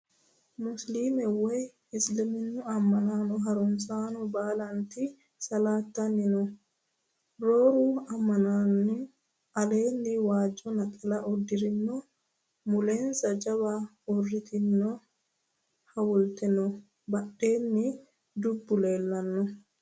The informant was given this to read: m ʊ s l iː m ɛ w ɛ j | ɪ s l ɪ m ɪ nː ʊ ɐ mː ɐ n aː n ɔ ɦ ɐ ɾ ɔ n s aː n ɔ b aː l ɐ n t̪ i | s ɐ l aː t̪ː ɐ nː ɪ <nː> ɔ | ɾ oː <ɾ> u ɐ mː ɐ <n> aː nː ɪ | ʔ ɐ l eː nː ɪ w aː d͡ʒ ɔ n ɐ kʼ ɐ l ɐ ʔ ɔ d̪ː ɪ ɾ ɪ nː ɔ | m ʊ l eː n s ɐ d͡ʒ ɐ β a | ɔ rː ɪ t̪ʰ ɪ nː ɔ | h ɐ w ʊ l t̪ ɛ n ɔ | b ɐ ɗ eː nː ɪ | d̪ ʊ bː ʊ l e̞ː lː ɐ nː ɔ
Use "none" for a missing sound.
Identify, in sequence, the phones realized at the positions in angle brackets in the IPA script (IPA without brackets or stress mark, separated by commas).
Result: n, ɾ, n